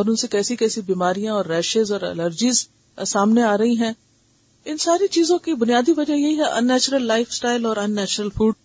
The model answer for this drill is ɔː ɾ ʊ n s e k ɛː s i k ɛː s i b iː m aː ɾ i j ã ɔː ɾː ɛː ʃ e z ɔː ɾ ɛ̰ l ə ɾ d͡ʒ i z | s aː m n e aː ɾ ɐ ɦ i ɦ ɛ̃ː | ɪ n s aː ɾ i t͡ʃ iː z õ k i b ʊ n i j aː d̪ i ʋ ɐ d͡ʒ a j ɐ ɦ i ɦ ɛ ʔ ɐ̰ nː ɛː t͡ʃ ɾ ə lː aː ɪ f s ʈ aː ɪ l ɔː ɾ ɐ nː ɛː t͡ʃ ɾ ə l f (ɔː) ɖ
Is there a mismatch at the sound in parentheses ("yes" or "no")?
yes